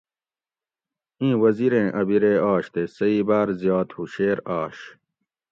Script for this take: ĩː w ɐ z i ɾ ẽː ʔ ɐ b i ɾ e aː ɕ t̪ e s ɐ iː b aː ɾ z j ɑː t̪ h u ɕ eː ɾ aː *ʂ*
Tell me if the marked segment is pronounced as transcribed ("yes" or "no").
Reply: no